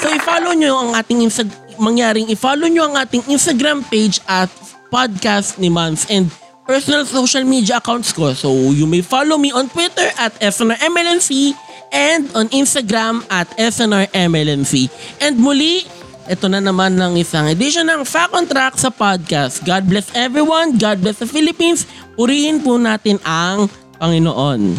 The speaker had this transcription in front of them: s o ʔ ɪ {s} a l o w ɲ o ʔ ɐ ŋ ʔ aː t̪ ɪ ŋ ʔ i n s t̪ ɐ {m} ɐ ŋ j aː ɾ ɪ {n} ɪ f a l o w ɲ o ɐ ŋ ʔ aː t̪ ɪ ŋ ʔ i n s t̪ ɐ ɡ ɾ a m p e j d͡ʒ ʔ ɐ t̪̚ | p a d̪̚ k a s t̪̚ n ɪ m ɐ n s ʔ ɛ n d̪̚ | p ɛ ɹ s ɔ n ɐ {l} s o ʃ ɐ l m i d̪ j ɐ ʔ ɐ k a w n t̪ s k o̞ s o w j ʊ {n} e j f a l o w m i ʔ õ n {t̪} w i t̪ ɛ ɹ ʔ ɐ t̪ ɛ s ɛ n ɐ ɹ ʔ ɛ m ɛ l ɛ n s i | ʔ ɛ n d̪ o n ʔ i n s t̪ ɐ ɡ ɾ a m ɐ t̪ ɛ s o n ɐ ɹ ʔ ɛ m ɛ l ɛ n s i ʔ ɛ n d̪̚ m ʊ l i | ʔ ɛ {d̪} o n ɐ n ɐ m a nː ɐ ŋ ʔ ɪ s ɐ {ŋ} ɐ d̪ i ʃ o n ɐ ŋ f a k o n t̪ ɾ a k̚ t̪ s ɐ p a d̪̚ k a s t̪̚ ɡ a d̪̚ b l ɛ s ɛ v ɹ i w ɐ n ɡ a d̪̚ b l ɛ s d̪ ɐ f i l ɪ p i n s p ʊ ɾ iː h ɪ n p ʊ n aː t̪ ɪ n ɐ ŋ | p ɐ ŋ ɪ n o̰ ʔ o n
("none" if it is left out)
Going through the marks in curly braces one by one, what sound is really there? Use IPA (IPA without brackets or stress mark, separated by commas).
f, m, ŋ, l, m, t̪, t̪, ŋ